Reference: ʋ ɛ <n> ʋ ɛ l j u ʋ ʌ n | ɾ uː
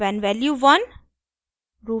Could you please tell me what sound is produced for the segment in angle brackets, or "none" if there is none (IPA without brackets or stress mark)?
n